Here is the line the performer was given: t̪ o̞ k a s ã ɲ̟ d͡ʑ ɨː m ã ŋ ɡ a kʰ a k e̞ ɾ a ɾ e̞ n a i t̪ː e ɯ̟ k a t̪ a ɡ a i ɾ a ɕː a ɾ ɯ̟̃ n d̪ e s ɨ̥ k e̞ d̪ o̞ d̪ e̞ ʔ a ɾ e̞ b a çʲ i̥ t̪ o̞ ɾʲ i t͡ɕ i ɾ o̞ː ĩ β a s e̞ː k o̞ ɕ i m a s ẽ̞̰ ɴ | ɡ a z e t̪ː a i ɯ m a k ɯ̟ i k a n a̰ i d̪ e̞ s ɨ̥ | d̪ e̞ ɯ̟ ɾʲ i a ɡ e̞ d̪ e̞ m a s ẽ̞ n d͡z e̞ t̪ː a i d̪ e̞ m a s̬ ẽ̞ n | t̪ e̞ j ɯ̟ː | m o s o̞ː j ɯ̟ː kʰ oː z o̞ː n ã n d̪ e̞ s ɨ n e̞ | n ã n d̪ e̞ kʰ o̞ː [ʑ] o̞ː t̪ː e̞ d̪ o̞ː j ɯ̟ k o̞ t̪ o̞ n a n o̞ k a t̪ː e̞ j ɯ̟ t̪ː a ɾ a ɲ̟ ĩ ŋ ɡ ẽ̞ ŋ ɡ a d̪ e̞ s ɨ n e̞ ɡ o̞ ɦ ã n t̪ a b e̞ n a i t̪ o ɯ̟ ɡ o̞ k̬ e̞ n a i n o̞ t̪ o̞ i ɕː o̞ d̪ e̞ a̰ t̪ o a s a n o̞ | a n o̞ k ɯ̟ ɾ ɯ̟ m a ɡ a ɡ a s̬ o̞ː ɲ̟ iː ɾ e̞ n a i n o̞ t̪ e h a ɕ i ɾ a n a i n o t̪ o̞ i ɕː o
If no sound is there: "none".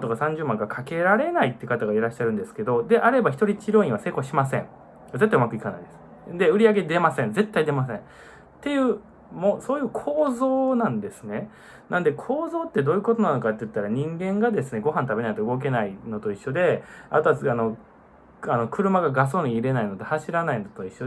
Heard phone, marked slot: z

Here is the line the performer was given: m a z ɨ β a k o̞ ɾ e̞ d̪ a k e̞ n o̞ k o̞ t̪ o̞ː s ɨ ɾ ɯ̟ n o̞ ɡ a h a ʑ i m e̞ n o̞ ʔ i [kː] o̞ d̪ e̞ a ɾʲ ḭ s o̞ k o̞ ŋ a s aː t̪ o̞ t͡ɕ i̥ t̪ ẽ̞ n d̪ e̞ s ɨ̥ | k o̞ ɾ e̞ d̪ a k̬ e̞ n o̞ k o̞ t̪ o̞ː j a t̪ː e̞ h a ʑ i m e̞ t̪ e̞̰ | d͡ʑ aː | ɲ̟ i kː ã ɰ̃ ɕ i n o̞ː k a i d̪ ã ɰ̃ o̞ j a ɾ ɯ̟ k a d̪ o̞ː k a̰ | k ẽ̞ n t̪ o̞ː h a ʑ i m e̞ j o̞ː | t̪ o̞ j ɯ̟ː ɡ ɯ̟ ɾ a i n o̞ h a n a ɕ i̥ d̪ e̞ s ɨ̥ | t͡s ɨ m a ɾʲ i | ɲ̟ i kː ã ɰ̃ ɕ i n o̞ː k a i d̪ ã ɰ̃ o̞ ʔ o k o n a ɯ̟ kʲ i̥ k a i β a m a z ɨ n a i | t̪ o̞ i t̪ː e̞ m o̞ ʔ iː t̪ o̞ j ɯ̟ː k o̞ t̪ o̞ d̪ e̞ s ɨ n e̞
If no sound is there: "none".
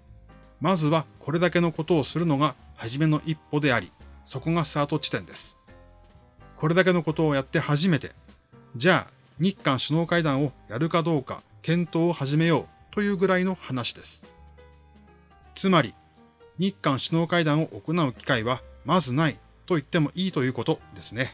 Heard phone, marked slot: pː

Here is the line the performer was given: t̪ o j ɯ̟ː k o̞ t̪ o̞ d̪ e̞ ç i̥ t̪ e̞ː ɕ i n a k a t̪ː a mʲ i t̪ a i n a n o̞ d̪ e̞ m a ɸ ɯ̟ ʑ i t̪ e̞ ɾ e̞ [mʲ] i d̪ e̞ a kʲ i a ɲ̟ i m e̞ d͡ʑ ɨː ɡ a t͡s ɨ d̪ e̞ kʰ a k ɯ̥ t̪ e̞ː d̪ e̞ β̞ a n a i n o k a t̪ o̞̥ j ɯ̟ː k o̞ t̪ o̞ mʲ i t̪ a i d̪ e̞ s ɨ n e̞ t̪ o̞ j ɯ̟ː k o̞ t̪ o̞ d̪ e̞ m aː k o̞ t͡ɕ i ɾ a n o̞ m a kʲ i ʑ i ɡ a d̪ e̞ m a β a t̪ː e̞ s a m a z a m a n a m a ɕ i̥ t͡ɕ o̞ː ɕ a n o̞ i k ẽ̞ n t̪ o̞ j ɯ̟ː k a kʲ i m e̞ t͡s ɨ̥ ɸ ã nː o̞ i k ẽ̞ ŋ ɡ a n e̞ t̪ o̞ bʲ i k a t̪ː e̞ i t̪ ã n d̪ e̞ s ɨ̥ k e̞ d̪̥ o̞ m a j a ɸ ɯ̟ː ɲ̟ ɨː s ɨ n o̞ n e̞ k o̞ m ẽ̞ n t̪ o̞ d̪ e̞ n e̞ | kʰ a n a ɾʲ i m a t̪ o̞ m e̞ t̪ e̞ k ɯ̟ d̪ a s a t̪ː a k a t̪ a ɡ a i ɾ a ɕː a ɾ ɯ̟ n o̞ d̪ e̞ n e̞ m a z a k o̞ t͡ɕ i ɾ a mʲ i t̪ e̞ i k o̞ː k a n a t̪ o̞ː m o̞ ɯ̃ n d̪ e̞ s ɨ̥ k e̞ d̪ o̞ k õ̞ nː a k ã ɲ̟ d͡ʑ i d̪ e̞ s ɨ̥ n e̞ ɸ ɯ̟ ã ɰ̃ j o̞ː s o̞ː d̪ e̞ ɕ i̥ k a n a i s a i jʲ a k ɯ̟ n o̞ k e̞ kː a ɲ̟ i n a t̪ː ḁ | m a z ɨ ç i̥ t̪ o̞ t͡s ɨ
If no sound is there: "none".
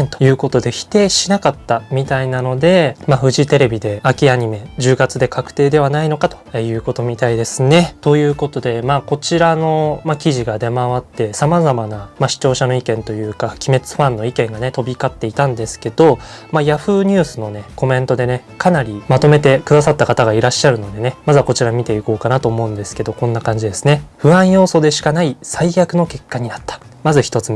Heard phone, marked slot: bʲ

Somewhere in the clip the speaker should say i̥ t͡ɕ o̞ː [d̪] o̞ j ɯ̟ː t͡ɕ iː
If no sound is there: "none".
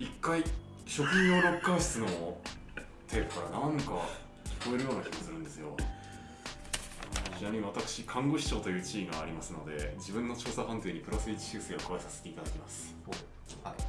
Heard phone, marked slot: t̪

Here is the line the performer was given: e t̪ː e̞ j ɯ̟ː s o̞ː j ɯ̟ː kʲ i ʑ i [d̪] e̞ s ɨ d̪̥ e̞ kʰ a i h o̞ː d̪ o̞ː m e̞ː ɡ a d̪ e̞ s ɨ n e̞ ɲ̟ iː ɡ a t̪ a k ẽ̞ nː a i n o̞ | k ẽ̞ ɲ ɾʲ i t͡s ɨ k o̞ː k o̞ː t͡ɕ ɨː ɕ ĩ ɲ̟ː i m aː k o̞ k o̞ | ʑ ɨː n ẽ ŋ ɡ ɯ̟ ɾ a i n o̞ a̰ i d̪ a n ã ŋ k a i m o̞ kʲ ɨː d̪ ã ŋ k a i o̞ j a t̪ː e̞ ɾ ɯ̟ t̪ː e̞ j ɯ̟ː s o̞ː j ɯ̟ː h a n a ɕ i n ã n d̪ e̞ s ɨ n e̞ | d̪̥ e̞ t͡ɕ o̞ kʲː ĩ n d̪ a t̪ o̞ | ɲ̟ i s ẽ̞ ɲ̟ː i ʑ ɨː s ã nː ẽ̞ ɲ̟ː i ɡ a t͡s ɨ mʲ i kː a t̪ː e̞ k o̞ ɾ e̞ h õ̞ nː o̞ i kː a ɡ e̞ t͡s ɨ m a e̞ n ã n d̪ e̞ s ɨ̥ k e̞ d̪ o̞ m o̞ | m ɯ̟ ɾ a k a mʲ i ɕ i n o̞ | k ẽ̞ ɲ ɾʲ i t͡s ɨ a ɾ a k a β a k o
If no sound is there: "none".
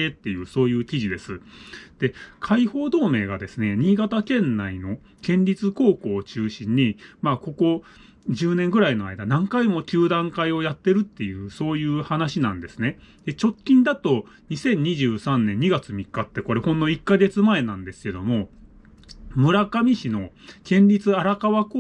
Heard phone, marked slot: d̪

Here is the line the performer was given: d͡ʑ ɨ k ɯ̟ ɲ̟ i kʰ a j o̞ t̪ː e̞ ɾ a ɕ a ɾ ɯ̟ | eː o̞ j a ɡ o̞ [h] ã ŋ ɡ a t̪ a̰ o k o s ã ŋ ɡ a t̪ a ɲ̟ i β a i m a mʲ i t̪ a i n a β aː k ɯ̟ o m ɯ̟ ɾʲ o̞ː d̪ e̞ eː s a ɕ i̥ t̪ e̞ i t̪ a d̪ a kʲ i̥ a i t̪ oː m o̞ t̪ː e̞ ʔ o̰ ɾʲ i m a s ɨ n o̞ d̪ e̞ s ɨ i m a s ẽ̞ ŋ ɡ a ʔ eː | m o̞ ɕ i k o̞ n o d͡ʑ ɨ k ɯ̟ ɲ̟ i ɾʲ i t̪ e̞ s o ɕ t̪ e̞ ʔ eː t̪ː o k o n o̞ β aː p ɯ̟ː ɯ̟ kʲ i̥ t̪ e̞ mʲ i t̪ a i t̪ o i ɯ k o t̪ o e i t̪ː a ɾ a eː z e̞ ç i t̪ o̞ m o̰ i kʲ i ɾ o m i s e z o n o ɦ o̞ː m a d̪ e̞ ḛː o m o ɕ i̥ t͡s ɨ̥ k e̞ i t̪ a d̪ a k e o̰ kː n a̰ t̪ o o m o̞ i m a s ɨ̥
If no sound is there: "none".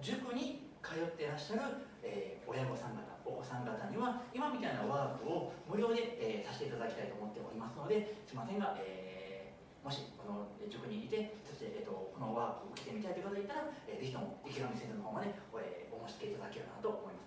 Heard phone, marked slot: s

